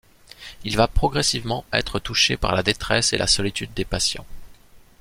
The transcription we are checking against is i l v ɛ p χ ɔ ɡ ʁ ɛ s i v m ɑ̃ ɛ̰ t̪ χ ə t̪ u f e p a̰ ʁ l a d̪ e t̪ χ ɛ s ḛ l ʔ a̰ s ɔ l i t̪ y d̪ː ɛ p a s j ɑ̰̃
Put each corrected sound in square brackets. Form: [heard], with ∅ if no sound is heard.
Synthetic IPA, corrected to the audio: i l v [a] p χ ɔ ɡ ʁ ɛ s i v m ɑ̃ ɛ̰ t̪ χ ə t̪ u [ʃ] e p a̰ ʁ l a d̪ e t̪ χ ɛ s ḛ l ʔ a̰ s ɔ l i t̪ y d̪ː [e] p a s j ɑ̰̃